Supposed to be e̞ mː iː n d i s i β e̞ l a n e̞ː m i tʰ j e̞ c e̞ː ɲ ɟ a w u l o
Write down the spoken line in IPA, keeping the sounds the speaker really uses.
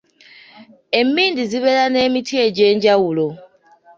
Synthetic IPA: e̞ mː iː n d i z i β e̞ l a n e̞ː m i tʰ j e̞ ɟ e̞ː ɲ ɟ a w u l o